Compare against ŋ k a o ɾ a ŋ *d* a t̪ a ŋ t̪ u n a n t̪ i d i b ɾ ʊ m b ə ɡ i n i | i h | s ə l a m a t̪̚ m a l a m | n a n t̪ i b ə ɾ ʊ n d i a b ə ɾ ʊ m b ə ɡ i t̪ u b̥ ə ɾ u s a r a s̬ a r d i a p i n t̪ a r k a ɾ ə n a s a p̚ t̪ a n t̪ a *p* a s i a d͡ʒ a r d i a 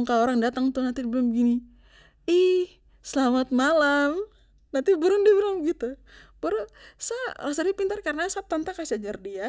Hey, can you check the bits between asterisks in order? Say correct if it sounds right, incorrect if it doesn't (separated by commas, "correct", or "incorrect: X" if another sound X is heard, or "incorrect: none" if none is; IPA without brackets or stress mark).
correct, incorrect: k